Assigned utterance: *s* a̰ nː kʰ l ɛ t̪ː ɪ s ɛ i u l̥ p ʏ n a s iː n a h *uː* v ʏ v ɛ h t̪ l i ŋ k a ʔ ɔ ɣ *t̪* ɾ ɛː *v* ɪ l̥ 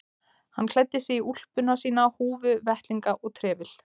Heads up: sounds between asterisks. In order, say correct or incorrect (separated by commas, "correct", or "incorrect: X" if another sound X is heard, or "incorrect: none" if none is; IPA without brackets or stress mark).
incorrect: h, correct, incorrect: t̪ʰ, correct